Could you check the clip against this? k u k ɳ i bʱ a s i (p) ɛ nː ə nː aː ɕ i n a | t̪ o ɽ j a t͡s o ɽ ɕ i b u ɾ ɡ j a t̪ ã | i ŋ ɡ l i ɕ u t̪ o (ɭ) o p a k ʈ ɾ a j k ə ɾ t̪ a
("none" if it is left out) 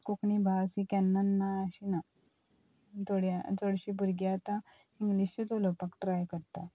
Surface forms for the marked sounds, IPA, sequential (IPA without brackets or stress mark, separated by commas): k, l